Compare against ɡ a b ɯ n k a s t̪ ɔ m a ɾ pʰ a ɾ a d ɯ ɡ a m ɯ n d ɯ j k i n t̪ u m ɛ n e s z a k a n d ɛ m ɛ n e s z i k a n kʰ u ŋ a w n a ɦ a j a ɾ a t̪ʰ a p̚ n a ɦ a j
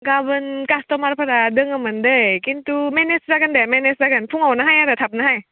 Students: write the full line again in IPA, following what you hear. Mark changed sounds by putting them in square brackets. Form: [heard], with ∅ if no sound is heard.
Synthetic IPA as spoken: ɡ a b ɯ n k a s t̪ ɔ m a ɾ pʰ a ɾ a d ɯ [ŋ] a m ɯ n d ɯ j k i n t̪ u m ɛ n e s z a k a n d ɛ m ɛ n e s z [a] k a n [pʰ] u ŋ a w n a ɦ a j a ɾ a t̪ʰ a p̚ n a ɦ a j